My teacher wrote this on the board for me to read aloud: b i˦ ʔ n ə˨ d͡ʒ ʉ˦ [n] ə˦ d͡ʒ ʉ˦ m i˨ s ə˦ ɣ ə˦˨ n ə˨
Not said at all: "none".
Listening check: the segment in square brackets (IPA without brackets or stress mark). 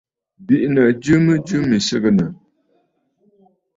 m